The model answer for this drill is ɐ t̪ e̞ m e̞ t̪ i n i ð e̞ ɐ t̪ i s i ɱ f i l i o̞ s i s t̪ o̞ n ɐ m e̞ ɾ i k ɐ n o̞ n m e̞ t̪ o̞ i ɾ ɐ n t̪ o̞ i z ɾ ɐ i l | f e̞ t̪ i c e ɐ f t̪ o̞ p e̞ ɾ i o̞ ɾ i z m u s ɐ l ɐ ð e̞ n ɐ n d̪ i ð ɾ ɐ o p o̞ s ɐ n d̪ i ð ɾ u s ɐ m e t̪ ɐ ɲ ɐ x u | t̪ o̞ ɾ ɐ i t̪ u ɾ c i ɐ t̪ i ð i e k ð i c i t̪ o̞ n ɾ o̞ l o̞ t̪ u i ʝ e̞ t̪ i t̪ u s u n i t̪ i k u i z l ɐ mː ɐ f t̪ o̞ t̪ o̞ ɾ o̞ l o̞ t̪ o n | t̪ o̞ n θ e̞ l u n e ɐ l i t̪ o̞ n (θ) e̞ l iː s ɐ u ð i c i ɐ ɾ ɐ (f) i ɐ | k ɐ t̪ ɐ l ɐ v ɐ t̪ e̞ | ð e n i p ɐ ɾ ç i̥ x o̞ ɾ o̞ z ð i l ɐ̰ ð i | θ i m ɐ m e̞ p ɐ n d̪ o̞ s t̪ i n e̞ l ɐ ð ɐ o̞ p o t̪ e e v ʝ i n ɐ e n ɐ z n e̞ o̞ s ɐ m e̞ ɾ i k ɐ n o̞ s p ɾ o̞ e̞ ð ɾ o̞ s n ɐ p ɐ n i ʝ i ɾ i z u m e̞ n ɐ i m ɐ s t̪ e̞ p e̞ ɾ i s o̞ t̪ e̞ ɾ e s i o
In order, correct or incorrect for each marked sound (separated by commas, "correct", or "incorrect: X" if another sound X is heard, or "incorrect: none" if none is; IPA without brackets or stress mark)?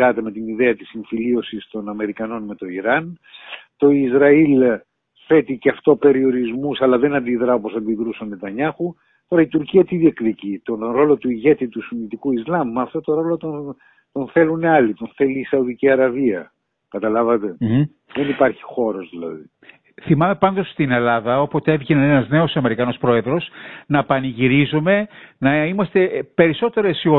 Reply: correct, incorrect: v